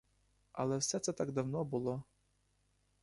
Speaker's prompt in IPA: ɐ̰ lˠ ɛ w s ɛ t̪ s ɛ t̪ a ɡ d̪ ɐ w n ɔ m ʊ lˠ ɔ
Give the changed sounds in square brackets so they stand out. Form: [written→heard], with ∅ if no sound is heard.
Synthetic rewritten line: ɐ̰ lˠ ɛ w s ɛ t̪ s ɛ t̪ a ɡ d̪ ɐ w n ɔ [m→b] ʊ lˠ ɔ